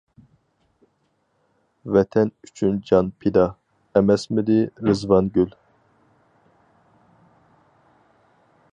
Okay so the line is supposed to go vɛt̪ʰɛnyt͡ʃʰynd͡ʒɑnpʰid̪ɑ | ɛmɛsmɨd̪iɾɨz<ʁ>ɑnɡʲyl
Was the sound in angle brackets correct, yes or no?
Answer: no